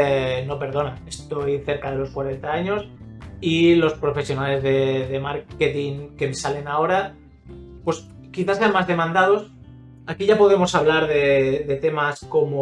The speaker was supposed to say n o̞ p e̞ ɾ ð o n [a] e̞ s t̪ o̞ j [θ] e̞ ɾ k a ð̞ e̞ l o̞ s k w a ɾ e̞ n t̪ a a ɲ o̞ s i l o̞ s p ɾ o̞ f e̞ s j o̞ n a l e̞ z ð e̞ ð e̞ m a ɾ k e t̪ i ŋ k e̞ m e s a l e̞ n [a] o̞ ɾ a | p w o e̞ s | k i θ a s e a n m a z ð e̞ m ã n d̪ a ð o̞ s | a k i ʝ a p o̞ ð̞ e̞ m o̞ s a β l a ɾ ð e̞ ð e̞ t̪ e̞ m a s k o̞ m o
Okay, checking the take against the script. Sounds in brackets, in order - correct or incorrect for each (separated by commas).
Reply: correct, correct, correct